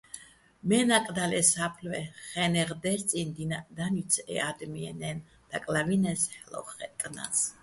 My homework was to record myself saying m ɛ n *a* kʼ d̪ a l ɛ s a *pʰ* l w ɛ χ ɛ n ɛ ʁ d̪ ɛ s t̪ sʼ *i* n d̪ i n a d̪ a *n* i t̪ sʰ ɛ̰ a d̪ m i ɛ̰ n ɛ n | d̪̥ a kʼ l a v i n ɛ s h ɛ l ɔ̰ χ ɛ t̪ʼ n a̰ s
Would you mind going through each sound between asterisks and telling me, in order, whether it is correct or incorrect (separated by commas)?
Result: correct, correct, correct, correct